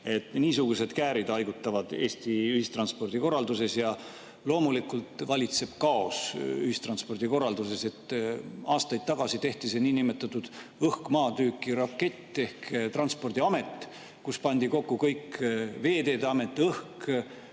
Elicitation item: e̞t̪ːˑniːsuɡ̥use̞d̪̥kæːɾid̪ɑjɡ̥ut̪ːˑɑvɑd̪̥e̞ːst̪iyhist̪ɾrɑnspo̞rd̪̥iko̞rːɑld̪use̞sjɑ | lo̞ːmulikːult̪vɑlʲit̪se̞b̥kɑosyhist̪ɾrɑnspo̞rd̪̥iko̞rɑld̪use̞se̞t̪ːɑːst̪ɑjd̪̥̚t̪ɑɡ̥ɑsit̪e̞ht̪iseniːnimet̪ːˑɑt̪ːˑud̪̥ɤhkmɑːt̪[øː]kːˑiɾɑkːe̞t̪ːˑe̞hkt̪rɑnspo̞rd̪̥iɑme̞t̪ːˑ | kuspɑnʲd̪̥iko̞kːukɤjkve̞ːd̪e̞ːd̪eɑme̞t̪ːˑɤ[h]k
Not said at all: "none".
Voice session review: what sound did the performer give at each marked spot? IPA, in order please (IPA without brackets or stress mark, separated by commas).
yː, h